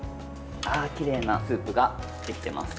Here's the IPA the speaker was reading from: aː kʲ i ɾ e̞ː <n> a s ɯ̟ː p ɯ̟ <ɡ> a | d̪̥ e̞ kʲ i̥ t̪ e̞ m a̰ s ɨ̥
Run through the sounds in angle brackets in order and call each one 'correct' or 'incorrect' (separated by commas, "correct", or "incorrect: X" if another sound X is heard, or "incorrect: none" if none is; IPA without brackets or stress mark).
correct, correct